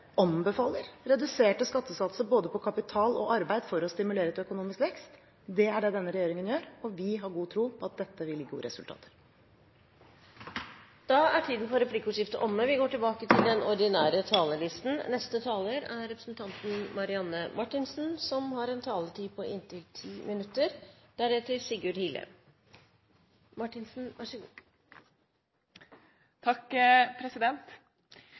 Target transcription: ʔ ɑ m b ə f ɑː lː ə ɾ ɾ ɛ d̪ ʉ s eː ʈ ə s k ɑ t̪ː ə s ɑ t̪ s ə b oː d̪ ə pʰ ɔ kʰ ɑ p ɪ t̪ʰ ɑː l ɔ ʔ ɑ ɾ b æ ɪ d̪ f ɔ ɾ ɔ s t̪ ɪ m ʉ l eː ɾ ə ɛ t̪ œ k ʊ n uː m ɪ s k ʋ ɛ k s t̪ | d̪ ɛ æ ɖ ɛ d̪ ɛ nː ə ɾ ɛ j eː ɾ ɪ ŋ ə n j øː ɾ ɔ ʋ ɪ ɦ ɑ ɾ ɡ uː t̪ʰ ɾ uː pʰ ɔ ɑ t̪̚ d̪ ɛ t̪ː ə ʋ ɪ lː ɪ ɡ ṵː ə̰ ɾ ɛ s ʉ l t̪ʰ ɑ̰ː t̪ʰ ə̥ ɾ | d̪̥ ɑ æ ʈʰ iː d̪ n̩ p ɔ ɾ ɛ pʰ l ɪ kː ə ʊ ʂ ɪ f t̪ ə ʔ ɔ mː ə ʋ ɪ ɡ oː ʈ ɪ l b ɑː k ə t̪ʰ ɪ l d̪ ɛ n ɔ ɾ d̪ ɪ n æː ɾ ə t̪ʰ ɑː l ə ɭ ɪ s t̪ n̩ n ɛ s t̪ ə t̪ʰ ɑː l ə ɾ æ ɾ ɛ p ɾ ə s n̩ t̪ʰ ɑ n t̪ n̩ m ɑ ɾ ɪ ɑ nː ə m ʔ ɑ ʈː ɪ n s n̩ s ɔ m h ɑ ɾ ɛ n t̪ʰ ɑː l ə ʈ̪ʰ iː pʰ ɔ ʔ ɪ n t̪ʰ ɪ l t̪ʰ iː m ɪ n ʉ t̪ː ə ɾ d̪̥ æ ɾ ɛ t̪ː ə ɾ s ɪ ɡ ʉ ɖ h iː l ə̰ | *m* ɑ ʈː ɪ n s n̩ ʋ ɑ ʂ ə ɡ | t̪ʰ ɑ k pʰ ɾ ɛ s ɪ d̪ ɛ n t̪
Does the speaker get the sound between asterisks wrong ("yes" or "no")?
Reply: no